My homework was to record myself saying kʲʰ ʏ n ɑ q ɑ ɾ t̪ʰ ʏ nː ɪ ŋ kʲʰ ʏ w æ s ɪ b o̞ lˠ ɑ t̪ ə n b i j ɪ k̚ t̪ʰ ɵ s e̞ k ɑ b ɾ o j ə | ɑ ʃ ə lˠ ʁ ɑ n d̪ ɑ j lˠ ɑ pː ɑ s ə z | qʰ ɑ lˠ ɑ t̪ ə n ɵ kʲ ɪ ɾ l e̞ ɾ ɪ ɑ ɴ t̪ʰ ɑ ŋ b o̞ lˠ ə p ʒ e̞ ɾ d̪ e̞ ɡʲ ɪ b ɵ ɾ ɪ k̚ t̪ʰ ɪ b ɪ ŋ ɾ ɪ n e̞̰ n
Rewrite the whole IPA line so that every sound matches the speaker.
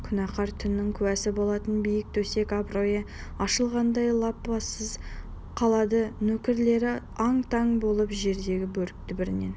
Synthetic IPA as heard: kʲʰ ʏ n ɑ q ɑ ɾ t̪ʰ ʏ nː ɪ ŋ kʲʰ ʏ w æ s ɪ b o̞ lˠ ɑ t̪ ə n b i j ɪ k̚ t̪ʰ ɵ s e̞ k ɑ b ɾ o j ə | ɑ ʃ ə lˠ ʁ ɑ n d̪ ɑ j lˠ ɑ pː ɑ s ə z | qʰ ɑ lˠ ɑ d̪ ə n ɵ kʲ ɪ ɾ l e̞ ɾ ɪ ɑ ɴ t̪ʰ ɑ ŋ b o̞ lˠ ə p ʒ e̞ ɾ d̪ e̞ ɡʲ ɪ b ɵ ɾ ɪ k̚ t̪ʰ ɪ b ɪ ɾ ɪ n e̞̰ n